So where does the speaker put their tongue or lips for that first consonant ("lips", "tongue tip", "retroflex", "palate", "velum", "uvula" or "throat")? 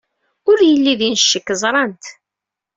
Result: tongue tip